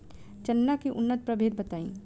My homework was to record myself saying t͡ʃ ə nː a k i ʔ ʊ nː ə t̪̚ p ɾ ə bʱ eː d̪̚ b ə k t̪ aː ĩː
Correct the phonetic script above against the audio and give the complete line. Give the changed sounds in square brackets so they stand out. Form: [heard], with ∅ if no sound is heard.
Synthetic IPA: t͡ʃ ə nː a k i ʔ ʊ nː ə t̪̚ p ɾ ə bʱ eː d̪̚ b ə [∅] t̪ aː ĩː